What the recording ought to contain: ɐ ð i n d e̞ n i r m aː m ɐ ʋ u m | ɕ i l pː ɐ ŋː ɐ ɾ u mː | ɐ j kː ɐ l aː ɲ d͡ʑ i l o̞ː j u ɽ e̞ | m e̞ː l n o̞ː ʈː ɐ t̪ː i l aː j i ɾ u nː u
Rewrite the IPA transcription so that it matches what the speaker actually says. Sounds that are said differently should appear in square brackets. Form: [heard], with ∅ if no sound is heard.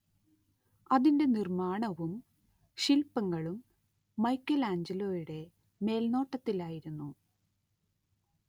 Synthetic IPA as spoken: ɐ ð i n d e̞ n i r m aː [ɳ] ɐ ʋ u m | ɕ i l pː ɐ ŋː ɐ [ɭ] u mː | ɐ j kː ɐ l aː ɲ d͡ʑ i l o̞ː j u ɽ e̞ | m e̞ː l n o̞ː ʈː ɐ t̪ː i l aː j i ɾ u nː u